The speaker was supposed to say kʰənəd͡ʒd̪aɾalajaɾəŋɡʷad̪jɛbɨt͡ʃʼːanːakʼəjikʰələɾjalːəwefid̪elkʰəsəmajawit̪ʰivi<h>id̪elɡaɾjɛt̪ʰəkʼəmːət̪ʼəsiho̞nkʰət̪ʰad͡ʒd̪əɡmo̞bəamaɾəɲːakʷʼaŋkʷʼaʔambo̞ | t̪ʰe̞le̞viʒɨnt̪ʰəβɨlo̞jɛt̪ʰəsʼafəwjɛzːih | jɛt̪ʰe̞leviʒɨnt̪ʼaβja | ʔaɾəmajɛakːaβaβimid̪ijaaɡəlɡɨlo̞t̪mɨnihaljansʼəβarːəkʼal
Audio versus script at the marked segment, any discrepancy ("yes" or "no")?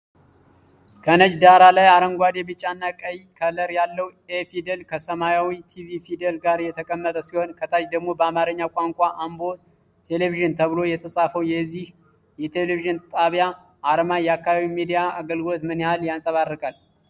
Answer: yes